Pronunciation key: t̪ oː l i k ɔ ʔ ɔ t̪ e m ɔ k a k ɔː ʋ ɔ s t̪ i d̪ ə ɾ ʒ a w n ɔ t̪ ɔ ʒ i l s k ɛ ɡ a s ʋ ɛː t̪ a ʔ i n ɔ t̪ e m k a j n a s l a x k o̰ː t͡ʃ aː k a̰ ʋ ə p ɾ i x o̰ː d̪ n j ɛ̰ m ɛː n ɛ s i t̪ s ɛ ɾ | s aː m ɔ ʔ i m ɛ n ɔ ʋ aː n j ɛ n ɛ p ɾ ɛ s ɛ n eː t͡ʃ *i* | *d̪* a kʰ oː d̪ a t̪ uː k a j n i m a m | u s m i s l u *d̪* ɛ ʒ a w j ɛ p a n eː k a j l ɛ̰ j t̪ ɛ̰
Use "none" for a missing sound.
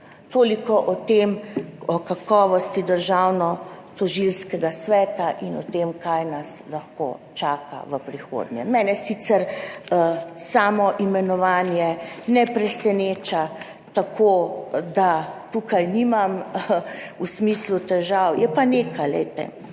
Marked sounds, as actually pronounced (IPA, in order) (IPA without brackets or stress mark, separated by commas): a, t̪, t̪